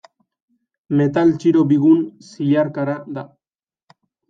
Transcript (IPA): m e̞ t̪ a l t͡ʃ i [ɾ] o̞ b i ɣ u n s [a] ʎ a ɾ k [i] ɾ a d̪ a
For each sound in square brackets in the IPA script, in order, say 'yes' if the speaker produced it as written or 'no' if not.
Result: yes, no, no

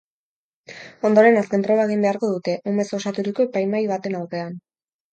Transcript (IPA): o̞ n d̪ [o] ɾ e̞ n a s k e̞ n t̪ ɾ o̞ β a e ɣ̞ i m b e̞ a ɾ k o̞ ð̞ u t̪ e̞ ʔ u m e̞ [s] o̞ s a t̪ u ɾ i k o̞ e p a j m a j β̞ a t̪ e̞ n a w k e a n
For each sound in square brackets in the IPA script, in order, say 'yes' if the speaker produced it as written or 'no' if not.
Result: yes, yes

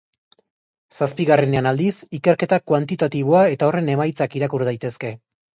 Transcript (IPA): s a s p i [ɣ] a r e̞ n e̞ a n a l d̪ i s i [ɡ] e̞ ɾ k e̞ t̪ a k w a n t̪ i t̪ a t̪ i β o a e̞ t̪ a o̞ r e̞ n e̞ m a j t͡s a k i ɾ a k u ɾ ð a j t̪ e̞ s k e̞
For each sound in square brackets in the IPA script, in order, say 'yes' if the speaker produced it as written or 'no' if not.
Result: yes, no

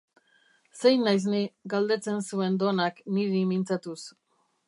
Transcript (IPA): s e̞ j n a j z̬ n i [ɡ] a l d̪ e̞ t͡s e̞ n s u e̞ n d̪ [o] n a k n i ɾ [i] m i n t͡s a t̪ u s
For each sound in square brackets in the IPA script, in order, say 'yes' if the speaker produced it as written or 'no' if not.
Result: yes, yes, yes

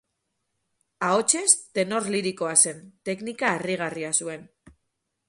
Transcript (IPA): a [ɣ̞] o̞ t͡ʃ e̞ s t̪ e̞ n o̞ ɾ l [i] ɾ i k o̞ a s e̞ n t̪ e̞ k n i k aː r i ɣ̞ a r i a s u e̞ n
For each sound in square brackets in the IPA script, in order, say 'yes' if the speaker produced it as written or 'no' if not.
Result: no, yes

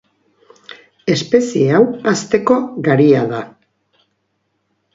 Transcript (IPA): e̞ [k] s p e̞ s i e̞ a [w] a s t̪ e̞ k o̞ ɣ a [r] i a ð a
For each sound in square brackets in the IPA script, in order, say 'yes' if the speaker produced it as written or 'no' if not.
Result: no, yes, no

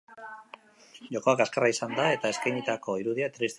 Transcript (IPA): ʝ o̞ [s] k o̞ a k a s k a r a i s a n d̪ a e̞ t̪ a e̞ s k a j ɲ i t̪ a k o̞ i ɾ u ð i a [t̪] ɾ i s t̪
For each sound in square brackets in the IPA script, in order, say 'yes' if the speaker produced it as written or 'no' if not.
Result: no, yes

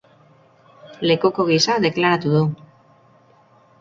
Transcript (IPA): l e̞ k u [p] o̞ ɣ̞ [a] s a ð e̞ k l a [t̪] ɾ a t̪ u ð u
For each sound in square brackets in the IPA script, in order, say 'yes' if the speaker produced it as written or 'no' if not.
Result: no, no, no

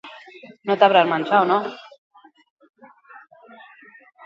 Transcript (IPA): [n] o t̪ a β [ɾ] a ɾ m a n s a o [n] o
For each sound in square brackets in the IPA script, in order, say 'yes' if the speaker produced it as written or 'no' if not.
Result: yes, yes, yes

